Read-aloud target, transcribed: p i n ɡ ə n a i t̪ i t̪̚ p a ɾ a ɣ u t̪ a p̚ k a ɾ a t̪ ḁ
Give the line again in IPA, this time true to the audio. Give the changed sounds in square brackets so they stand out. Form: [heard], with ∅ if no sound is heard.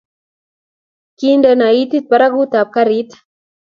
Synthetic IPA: [k] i n [d] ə n a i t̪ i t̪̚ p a ɾ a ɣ u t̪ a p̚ k a ɾ [i] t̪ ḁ